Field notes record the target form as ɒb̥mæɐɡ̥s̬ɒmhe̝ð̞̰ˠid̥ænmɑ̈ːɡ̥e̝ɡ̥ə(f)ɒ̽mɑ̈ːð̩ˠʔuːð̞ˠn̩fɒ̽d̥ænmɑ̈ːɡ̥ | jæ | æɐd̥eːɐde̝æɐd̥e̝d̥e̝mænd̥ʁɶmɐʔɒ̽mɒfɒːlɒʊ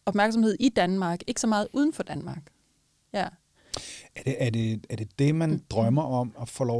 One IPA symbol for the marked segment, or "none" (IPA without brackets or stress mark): s